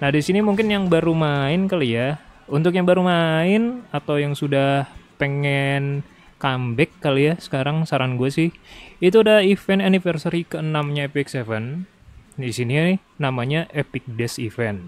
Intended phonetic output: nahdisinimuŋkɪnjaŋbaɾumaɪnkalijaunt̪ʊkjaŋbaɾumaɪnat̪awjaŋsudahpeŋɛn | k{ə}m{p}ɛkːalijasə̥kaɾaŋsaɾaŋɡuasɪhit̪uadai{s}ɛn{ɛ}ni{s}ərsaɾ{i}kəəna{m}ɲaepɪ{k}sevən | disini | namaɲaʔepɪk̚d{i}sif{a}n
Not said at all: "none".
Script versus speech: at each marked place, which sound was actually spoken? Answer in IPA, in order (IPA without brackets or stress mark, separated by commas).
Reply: a, b, f, a, f, i, m, k, ɛ, ɛ